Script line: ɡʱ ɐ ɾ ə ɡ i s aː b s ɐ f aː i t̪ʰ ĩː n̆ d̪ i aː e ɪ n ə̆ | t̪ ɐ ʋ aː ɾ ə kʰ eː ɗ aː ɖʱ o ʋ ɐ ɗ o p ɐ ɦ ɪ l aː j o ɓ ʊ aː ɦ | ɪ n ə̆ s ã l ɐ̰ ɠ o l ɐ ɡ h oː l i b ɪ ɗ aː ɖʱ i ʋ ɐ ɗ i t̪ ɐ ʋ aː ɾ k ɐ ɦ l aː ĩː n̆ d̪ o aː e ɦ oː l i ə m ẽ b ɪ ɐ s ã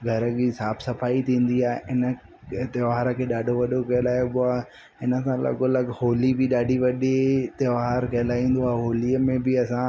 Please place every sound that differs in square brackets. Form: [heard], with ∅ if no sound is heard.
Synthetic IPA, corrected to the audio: ɡʱ ɐ ɾ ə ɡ i s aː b s ɐ f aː i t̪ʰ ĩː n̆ d̪ i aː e ɪ n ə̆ | t̪ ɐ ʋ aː ɾ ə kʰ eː ɗ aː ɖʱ o ʋ ɐ ɗ o [k] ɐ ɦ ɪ l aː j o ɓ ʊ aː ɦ | ɪ n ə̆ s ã l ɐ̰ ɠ o l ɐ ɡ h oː l i b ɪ ɗ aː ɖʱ i ʋ ɐ ɗ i t̪ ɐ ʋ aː ɾ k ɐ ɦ l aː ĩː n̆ d̪ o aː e ɦ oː l i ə m ẽ b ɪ ɐ s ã